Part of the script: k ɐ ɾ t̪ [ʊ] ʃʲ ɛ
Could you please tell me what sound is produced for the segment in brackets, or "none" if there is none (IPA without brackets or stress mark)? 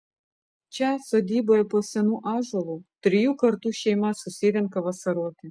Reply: u